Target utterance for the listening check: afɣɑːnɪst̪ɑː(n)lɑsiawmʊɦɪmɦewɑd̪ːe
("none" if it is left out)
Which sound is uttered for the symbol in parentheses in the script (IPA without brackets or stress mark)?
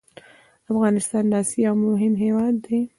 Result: n